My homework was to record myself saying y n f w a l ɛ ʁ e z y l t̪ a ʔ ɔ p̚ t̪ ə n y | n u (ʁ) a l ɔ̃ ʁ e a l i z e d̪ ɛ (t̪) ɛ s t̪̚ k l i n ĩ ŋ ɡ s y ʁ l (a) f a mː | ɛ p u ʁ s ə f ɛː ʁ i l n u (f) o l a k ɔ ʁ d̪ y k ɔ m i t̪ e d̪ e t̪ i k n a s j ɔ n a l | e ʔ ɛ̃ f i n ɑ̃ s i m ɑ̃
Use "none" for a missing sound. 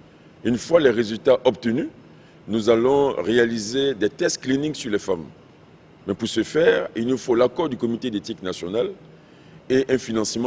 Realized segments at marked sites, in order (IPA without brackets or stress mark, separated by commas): z, t̪, ɛ, f